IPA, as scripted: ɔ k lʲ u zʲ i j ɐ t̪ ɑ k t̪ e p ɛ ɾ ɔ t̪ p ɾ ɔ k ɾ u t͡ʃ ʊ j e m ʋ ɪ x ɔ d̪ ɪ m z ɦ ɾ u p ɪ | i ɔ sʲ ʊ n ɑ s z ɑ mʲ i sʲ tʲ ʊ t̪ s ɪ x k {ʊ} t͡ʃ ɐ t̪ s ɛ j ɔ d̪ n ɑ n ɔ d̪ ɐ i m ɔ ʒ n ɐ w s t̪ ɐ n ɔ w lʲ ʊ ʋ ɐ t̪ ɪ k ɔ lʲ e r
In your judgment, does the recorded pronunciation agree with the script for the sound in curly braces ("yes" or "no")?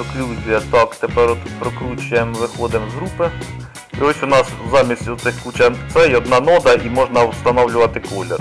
no